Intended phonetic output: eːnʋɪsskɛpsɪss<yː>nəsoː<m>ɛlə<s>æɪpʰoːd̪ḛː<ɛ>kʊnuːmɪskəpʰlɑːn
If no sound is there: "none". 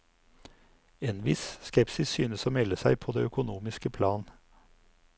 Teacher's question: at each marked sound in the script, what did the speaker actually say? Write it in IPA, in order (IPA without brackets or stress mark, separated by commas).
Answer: yː, m, s, œ